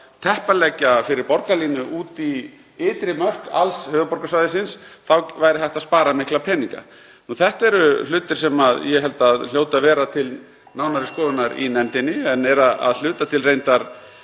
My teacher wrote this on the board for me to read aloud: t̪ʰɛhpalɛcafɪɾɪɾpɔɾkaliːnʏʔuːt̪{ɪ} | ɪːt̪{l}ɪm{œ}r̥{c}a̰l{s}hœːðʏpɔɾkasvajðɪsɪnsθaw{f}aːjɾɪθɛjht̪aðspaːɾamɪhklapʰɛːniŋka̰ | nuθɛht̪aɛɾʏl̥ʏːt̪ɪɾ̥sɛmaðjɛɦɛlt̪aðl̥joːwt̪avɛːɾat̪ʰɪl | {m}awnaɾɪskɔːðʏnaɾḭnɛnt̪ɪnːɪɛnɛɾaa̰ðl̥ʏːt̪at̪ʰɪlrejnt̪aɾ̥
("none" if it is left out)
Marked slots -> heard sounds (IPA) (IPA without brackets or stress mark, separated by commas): i, ɾ, œ, k, s, v, n